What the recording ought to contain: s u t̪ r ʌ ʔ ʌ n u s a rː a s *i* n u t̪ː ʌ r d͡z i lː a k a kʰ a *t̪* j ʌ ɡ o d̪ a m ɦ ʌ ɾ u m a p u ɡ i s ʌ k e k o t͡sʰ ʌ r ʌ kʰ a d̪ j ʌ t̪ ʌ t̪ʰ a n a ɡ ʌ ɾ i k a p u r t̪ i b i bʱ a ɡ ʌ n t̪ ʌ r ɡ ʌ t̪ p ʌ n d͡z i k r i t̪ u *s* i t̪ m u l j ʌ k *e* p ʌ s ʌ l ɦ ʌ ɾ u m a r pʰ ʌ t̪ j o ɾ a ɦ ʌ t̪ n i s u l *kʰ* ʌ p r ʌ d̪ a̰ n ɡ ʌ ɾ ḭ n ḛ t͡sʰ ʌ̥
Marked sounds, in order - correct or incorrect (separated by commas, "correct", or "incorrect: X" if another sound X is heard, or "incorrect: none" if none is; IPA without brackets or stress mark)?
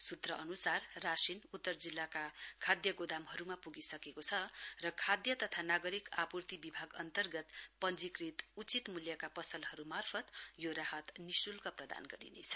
correct, incorrect: d̪, incorrect: t͡s, incorrect: a, incorrect: k